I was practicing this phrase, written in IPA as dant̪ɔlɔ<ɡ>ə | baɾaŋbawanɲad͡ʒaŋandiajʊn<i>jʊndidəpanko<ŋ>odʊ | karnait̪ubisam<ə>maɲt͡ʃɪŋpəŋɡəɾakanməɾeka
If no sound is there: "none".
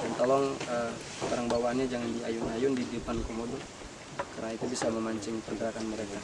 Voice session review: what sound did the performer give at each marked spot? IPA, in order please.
ŋ, a, m, ə

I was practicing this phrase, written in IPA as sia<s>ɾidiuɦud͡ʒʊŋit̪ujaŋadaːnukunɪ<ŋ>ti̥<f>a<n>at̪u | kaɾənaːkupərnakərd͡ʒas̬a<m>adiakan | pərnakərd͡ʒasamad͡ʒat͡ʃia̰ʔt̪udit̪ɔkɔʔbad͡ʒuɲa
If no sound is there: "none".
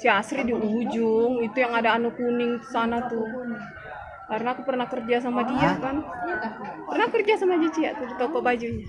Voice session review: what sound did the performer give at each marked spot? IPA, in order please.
s, ŋ, s, n, m

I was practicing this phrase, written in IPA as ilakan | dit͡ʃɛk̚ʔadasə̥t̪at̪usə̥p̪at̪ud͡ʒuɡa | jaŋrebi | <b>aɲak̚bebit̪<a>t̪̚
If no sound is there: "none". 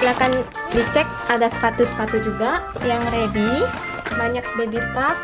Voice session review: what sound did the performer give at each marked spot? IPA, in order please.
b, a

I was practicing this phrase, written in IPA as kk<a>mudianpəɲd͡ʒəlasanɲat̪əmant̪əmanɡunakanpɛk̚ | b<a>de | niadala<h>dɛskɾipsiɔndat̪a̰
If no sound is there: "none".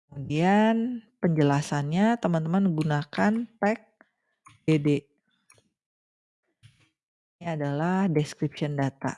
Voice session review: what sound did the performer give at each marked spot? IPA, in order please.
ə, e, h

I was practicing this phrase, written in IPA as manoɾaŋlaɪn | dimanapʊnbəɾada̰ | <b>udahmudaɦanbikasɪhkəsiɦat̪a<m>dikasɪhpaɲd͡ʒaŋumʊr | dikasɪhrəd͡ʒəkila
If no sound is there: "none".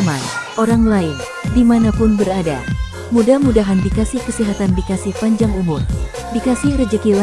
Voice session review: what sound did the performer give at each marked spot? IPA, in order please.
m, n

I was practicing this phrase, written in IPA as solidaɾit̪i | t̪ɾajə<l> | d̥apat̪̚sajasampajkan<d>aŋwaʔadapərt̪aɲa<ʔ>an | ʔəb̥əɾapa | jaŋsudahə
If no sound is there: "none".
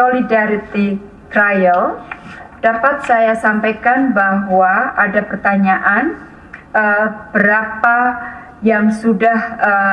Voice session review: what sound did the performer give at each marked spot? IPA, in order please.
l, b, ʔ

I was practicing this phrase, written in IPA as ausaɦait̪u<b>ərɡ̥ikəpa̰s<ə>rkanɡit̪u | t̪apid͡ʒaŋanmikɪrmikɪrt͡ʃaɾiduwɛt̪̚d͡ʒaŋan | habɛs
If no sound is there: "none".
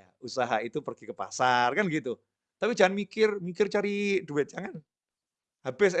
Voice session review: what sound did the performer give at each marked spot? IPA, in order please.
p, a

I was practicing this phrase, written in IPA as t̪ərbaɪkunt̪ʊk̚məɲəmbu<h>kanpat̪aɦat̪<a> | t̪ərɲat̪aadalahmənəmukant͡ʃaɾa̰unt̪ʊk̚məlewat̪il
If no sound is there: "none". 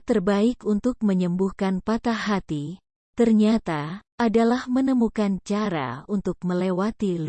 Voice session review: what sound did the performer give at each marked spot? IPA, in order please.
h, i

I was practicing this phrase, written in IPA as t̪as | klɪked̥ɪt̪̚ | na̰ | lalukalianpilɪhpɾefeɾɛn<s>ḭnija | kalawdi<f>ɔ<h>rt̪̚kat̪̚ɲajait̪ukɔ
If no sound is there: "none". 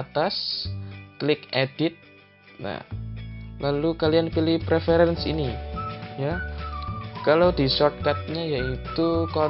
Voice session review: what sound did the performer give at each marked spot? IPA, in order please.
s, s, none

